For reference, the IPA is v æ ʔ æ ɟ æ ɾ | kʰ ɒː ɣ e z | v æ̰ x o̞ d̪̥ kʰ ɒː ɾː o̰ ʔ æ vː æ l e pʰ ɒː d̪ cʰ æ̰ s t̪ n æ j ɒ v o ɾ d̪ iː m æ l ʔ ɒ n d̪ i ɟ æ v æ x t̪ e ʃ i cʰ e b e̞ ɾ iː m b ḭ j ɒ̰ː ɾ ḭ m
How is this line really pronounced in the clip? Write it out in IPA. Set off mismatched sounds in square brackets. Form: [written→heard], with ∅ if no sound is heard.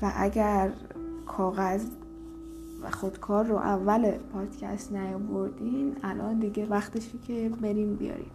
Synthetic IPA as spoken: v æ ʔ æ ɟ æ ɾ | kʰ ɒː ɣ [e→æ] z | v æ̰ x o̞ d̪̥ kʰ ɒː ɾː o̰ ʔ æ vː æ l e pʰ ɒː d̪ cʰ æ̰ s t̪ n æ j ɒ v o ɾ d̪ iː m æ l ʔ ɒ n d̪ i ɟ [æ→e] v æ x t̪ e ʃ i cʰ e b e̞ ɾ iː m b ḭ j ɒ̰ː ɾ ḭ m